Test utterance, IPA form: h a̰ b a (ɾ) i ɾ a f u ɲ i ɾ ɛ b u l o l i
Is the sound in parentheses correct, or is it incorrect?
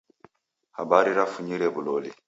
correct